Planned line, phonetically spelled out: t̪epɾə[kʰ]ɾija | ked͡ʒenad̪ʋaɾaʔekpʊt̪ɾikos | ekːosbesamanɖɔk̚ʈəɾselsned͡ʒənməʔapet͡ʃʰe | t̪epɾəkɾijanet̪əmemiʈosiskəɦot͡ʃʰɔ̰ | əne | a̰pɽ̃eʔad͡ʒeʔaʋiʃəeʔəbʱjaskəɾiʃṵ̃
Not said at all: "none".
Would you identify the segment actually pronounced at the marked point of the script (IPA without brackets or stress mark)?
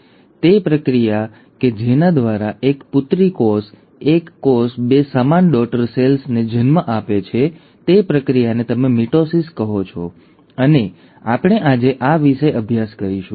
k